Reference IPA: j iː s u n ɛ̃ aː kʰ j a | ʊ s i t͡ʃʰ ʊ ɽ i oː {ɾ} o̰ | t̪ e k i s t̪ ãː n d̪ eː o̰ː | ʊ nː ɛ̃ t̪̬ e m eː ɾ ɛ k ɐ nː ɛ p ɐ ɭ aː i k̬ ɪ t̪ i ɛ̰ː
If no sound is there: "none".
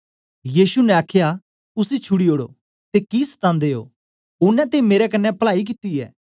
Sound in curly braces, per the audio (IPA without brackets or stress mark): ɽ